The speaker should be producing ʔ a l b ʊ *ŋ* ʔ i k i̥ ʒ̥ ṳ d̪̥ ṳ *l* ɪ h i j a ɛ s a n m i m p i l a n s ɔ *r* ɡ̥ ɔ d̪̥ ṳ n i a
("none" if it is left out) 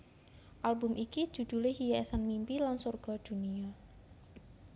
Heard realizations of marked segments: m, l, r

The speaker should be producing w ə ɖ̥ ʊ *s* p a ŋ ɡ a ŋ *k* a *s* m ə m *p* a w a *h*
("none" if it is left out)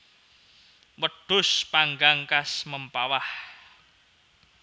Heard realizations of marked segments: s, k, s, p, h

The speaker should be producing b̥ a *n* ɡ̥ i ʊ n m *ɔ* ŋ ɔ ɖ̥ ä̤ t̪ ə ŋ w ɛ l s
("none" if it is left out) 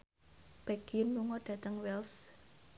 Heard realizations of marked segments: none, u

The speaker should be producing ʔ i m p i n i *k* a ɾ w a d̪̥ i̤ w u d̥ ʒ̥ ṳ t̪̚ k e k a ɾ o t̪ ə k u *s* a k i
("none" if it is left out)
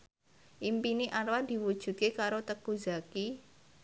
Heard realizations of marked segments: ʔ, z

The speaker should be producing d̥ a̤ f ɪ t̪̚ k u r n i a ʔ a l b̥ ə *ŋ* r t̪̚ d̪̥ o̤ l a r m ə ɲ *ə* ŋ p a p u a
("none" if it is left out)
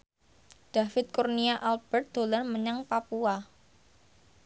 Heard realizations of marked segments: none, a

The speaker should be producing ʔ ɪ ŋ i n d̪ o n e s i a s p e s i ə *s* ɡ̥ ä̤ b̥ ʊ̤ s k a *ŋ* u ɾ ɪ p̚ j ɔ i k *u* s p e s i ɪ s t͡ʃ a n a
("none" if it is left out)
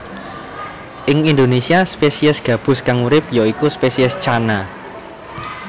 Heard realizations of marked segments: s, ŋ, u

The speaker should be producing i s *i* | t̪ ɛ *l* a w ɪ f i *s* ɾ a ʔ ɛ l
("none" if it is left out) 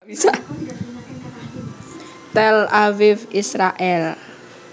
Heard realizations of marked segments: a, l, s

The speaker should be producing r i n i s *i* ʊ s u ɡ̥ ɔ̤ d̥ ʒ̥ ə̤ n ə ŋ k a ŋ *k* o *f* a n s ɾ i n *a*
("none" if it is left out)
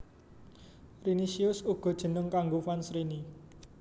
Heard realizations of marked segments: i, ɡ, f, i

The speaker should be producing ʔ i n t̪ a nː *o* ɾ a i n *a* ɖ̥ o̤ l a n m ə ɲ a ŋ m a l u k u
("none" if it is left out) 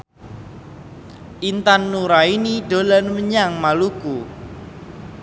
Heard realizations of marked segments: u, i

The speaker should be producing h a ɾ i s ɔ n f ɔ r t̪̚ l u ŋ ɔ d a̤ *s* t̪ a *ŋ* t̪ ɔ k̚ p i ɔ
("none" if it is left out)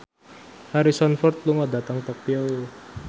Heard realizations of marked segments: none, ŋ

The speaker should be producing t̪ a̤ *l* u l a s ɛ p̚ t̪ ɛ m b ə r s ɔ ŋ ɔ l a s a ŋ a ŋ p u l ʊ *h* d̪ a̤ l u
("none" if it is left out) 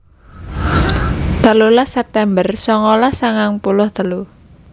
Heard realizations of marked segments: l, h

